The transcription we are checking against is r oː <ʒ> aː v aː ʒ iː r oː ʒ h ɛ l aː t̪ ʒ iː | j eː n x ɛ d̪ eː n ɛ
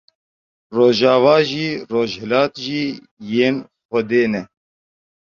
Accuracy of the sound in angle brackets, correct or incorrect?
correct